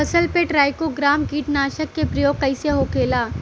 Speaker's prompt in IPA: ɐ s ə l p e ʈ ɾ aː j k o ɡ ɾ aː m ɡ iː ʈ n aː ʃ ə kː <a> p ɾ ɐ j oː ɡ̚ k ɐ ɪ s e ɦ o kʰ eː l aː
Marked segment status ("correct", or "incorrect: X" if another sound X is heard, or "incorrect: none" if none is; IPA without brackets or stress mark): incorrect: e